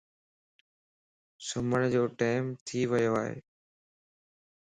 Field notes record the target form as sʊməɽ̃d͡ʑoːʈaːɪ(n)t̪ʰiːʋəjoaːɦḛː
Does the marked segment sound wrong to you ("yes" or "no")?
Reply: yes